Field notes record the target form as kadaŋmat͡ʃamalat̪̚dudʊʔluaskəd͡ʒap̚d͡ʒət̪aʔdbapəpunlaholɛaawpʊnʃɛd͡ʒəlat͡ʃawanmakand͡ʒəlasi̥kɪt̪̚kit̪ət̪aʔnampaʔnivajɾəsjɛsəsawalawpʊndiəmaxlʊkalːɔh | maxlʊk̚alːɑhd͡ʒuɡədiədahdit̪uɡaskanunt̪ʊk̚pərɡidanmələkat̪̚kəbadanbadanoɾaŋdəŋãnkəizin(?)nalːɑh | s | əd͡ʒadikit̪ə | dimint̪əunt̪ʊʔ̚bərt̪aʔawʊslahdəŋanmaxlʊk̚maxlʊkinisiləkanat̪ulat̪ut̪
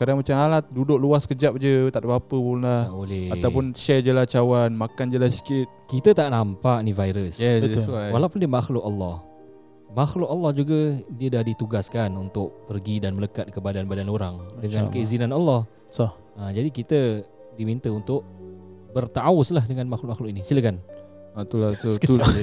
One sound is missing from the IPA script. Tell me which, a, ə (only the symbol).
a